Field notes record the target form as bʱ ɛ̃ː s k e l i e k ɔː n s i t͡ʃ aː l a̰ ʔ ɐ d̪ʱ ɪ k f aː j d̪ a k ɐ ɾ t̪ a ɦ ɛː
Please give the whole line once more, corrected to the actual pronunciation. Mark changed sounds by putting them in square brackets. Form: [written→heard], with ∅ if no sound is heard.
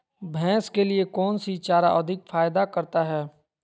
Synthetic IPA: bʱ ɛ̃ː s k e l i e k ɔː n s i t͡ʃ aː [l→ɾ] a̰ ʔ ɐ d̪ʱ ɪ k f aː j d̪ a k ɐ ɾ t̪ a ɦ ɛː